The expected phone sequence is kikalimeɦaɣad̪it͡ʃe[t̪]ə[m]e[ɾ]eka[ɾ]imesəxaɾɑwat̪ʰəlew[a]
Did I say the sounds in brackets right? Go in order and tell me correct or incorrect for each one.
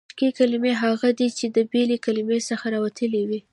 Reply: incorrect, incorrect, incorrect, incorrect, incorrect

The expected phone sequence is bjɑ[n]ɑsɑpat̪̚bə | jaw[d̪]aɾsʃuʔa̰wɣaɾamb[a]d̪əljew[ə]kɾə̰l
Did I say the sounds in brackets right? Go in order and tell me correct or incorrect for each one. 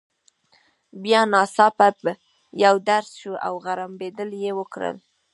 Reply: correct, correct, incorrect, correct

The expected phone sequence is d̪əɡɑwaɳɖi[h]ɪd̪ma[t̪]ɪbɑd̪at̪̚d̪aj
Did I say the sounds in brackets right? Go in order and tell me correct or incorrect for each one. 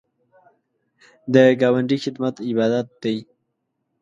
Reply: incorrect, correct

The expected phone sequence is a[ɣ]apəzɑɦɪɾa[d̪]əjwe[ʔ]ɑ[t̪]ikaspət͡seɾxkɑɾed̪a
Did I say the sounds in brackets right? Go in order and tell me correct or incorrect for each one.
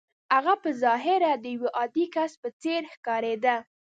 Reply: correct, correct, correct, incorrect

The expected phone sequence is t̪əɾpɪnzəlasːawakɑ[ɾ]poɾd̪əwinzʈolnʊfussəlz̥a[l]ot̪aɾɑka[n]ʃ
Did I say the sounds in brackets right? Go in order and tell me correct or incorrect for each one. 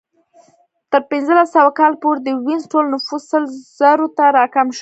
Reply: incorrect, incorrect, incorrect

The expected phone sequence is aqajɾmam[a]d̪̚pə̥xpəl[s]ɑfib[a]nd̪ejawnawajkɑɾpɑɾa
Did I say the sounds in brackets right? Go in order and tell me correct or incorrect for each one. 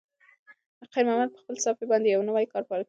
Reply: correct, correct, incorrect

